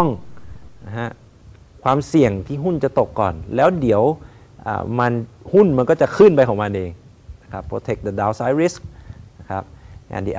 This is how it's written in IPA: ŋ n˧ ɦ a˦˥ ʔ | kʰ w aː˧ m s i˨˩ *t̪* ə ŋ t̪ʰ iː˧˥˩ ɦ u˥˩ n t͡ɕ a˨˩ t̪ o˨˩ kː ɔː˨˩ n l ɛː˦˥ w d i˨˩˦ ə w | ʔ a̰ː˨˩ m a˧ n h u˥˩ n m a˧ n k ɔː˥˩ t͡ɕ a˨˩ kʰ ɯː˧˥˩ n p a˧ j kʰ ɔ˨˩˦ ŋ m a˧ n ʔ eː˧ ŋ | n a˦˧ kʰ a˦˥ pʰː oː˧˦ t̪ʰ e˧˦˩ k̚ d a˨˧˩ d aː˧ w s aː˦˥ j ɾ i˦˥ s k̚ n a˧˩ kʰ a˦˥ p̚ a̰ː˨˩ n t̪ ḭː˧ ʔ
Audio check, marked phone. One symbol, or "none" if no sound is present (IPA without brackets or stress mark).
none